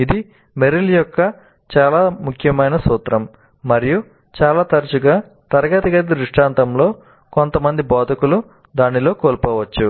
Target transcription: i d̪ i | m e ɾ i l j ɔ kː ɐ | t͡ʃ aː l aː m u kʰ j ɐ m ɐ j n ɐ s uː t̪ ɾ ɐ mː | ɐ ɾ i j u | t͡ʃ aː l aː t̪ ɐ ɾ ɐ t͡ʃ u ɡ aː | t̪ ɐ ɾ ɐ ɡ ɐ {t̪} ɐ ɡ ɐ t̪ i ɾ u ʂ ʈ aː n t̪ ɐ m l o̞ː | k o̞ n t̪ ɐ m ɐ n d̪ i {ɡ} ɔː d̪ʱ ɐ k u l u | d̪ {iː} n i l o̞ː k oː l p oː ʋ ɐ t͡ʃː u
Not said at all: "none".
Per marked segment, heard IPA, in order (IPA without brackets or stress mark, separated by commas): t̪, b, aː